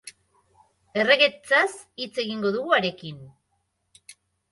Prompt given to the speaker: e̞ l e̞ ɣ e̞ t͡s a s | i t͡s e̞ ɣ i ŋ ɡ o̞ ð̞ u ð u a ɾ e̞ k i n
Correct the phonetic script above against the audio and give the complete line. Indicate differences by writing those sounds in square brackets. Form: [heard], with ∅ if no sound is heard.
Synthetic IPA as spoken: e̞ [r] e̞ ɣ e̞ t͡s a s | i t͡s e̞ ɣ i ŋ ɡ o̞ ð̞ u [ɣ] u a ɾ e̞ k i n